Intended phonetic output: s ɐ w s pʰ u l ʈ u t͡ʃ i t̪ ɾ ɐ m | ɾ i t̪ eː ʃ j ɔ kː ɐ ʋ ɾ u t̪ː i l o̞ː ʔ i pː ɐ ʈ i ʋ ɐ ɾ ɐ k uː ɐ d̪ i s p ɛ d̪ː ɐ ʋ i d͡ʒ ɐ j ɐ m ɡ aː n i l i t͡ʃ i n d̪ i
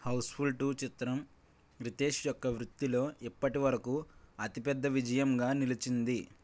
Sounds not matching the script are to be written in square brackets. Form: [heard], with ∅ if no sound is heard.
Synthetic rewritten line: [h] ɐ w s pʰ u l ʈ u t͡ʃ i t̪ ɾ ɐ m | ɾ i t̪ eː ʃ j ɔ kː ɐ ʋ ɾ u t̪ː i l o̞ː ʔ i pː ɐ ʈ i ʋ ɐ ɾ ɐ k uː ɐ [t̪] i [∅] p ɛ d̪ː ɐ ʋ i d͡ʒ ɐ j ɐ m ɡ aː n i l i t͡ʃ i n d̪ i